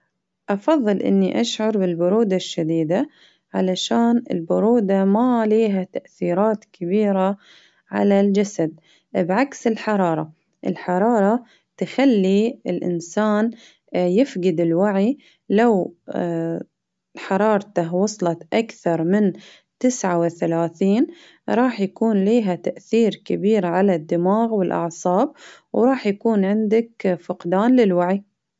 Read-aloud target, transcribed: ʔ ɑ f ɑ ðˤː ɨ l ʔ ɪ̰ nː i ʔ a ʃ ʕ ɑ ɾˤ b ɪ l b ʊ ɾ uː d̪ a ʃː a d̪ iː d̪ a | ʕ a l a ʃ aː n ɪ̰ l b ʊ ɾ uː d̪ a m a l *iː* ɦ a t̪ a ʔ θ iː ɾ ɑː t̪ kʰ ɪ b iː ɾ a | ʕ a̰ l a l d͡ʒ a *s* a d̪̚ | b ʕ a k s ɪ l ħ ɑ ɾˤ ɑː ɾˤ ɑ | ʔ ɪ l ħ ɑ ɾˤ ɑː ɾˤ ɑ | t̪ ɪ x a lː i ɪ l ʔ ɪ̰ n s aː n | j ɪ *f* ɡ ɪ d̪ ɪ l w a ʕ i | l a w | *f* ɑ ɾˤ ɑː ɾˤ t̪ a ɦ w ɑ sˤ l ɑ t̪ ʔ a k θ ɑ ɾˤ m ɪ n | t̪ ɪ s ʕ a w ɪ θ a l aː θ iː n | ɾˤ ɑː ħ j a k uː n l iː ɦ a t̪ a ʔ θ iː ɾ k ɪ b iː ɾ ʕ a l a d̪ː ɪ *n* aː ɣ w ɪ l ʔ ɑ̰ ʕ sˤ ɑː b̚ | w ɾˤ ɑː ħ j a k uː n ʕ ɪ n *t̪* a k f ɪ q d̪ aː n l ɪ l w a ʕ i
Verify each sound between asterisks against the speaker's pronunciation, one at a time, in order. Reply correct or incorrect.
correct, correct, correct, incorrect: ħ, incorrect: m, incorrect: d̪

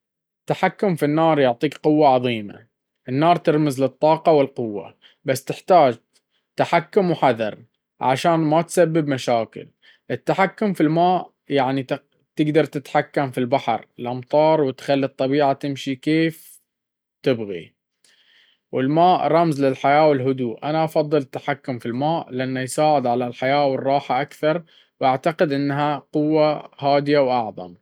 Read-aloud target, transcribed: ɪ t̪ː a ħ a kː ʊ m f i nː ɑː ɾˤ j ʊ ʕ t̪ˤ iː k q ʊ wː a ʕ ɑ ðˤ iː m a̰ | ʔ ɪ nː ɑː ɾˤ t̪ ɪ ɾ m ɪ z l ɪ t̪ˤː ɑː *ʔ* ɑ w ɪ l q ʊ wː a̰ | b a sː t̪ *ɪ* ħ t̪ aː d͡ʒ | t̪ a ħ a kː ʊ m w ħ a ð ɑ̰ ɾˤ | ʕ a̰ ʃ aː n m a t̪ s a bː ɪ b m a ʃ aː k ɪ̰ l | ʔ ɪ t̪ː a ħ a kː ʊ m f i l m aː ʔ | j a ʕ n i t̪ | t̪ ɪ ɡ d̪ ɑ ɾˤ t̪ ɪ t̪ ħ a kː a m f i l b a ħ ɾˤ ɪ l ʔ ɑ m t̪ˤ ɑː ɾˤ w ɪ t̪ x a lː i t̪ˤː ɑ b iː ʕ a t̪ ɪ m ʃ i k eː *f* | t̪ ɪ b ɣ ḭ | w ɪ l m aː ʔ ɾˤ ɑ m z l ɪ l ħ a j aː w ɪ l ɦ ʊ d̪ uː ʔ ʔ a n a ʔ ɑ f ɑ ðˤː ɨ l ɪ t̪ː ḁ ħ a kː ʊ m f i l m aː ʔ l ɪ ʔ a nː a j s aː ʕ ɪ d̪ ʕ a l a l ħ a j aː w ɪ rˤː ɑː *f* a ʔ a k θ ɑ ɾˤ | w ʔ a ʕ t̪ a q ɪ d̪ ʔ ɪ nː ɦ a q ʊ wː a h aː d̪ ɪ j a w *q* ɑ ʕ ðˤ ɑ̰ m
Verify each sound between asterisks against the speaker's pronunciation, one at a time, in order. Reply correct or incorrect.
incorrect: q, correct, correct, incorrect: ħ, incorrect: ʔ

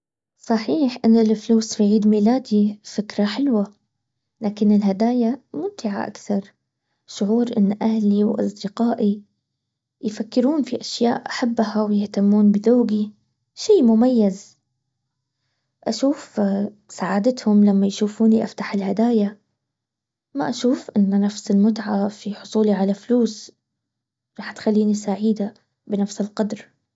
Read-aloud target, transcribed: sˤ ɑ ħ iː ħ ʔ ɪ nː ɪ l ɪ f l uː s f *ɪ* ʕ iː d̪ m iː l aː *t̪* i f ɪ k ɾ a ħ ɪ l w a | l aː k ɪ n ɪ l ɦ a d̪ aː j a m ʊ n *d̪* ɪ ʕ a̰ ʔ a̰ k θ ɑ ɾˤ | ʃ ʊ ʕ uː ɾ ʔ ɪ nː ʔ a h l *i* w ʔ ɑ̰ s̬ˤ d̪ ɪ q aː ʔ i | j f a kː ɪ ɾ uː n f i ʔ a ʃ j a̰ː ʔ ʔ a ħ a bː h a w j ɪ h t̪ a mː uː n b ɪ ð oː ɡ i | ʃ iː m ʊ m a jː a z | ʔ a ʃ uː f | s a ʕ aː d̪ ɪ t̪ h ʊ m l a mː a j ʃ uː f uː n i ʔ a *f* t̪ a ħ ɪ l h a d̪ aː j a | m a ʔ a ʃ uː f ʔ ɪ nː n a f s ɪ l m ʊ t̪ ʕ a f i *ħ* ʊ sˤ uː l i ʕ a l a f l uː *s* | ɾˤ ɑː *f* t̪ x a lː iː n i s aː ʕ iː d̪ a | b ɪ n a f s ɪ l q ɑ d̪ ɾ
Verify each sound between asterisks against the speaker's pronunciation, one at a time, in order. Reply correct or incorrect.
incorrect: i, incorrect: d̪, incorrect: t̪, correct, correct, correct, correct, incorrect: ħ

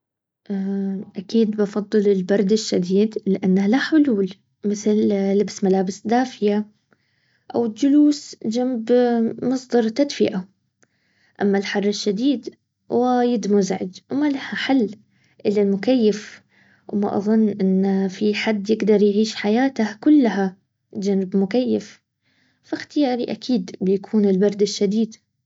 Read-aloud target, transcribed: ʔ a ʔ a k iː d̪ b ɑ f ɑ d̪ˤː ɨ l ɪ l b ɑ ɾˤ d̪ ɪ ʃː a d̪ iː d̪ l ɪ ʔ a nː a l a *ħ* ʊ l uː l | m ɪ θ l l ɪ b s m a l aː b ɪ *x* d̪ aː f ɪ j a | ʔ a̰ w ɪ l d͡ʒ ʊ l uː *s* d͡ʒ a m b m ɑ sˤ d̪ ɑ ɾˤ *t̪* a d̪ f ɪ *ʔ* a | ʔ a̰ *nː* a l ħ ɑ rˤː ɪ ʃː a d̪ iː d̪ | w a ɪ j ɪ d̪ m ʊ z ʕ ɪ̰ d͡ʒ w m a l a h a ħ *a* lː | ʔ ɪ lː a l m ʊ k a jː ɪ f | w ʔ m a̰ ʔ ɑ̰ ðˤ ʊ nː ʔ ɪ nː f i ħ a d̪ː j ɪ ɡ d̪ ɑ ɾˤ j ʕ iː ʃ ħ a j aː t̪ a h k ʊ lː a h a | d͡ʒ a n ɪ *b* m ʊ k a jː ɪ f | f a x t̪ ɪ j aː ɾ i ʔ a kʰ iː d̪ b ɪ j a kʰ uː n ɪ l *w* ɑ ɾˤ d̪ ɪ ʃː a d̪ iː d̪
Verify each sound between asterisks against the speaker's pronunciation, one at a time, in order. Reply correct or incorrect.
correct, incorrect: s, correct, correct, correct, incorrect: mː, correct, correct, incorrect: b

